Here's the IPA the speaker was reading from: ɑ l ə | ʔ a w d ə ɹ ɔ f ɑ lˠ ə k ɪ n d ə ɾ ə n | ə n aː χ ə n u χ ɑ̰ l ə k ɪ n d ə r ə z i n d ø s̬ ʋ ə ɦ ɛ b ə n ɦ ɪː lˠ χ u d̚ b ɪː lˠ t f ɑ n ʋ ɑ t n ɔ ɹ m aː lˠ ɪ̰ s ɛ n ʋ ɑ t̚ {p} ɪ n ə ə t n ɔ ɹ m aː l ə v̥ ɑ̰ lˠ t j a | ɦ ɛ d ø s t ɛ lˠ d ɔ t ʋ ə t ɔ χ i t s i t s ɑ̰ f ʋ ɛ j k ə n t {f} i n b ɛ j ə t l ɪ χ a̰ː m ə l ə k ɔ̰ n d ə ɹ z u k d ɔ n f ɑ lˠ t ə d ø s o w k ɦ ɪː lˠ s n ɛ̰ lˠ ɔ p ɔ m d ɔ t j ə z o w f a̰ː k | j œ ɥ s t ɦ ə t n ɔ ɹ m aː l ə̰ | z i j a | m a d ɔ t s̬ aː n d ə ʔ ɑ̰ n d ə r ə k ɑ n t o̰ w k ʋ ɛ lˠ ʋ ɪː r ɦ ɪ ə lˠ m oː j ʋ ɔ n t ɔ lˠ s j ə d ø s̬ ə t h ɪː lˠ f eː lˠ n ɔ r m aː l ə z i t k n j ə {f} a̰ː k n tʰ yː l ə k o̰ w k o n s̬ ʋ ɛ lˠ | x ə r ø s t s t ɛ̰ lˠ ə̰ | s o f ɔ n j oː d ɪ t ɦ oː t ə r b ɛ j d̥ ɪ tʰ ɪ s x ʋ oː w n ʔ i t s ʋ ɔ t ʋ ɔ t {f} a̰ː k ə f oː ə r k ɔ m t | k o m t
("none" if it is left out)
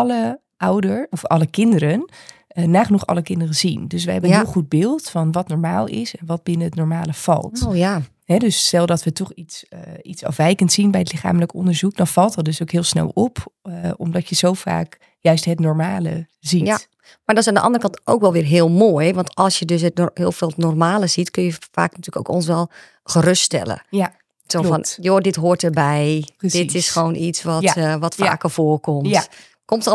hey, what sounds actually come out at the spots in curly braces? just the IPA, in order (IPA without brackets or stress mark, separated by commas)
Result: b, s, f, f